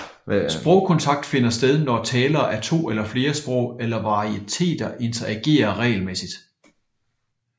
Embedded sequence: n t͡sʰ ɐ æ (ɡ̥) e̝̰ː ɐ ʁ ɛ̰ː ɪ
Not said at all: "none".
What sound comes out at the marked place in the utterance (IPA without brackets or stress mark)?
ɡ̥